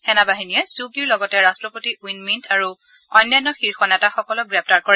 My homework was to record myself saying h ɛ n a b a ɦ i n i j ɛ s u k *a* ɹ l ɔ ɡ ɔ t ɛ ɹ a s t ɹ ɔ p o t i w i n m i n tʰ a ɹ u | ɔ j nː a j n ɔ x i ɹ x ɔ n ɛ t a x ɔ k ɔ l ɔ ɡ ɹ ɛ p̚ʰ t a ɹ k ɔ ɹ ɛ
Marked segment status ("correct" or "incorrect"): incorrect